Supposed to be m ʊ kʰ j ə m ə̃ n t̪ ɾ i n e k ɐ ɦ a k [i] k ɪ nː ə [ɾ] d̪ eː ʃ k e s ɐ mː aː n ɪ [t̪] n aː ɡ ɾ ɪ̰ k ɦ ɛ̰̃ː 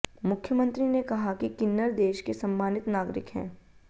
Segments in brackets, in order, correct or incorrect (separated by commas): correct, correct, correct